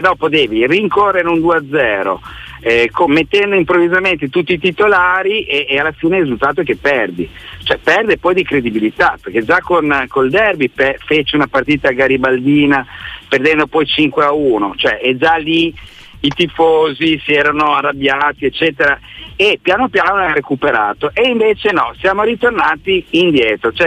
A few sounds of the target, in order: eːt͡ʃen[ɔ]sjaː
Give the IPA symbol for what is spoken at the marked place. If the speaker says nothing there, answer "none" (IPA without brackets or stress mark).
ɔ